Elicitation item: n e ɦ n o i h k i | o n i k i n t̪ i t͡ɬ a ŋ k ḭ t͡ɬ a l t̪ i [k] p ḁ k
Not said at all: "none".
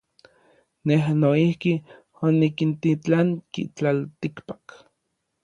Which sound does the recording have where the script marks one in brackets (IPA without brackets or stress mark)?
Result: k